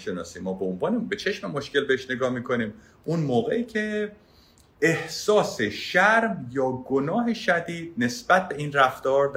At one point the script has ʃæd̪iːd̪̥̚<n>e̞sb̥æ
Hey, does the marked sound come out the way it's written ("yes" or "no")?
yes